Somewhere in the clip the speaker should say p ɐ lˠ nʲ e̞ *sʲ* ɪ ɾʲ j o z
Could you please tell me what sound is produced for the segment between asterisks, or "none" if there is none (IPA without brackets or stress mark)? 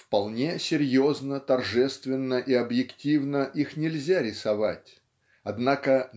sʲ